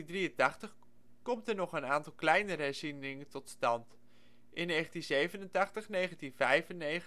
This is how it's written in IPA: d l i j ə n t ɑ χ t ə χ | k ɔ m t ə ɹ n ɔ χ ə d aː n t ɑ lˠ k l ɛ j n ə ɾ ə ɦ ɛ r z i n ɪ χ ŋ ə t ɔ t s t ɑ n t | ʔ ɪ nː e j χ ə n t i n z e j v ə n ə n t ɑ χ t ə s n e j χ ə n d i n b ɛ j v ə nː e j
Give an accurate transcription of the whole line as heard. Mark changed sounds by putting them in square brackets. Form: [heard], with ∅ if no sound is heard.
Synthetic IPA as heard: d [r] i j ə n t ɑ χ t ə χ | k ɔ m t ə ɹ n ɔ χ ə [n] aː n t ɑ lˠ k l ɛ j n ə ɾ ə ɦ ɛ [ɹ] z i n ɪ [∅] ŋ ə t ɔ t s t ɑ n t | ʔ ɪ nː e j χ ə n t i n z e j v ə n ə n t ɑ χ t ə [χ] n e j χ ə n [t] i n [v] ɛ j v ə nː e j

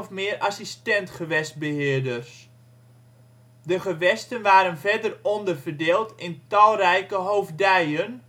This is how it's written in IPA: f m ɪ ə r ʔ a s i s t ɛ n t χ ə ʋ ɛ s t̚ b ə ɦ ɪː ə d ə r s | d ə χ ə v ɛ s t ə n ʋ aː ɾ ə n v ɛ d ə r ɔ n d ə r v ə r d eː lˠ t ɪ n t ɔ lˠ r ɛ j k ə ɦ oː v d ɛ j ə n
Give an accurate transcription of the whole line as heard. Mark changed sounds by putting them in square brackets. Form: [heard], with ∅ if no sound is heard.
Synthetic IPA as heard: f m ɪ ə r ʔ a s i s t ɛ n t χ ə ʋ ɛ s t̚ b ə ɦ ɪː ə d ə r s | d ə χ ə [ʋ] ɛ s t ə n ʋ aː ɾ ə n v ɛ d ə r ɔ n d ə r v ə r d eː lˠ t ɪ n t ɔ lˠ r ɛ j k ə ɦ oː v d ɛ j ə n

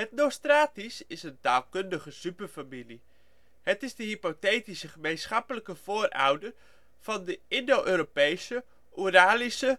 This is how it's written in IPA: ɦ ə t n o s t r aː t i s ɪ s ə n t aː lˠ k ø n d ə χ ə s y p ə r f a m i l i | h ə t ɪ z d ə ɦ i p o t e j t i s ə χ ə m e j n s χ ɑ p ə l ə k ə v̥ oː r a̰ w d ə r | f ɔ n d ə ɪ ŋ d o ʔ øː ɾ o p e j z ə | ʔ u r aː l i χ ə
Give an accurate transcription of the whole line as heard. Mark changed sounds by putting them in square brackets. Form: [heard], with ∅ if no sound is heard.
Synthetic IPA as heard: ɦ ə t n o s t r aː t i s ɪ s ə n t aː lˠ k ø n d ə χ ə s y p ə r f a m i l i | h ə t ɪ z d ə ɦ i p o t e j t i s ə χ ə m e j n s χ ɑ p ə l ə k ə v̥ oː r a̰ w d ə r | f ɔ n d ə ɪ [n] d o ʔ øː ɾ o p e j [s] ə | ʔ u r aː l i [s] ə

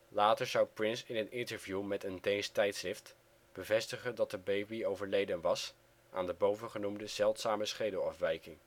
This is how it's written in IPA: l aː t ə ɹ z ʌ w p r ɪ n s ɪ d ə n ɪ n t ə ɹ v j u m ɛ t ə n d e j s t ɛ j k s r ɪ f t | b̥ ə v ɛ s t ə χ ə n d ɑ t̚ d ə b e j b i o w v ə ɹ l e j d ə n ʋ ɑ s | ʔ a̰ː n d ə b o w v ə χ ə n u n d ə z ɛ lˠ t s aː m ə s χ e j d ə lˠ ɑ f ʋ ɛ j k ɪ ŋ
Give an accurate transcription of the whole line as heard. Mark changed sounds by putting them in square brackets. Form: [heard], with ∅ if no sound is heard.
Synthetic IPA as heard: l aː t ə ɹ z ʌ w p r ɪ n s ɪ [n] ə n ɪ n t ə ɹ v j u m ɛ t ə n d e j s t ɛ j [t] s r ɪ f t | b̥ ə v ɛ s t ə χ ə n d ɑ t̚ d ə b e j b i o w v ə ɹ l e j d ə n ʋ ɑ s | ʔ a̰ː n d ə b o w v ə χ ə n u [m] d ə z ɛ lˠ t s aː m ə s χ e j d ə lˠ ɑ f ʋ ɛ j k ɪ ŋ

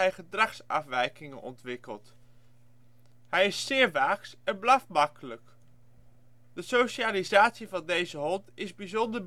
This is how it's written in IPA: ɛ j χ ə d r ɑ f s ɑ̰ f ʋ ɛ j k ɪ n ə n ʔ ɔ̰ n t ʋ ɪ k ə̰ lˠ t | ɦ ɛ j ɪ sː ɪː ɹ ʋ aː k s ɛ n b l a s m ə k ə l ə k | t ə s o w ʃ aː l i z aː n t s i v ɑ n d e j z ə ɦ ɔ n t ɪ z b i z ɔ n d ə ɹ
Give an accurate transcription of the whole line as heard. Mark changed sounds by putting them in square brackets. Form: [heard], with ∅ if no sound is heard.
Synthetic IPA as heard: ɛ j χ ə d r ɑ [χ] s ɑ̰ f ʋ ɛ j k ɪ [ŋ] ə n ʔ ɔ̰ n t ʋ ɪ k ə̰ lˠ t | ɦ ɛ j ɪ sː ɪː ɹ ʋ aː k s ɛ n b l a [f] m [ɑ] k ə l ə k | [d] ə s o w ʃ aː l i z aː [∅] t s i v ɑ n d e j z ə ɦ ɔ n t ɪ z b i z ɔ n d ə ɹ

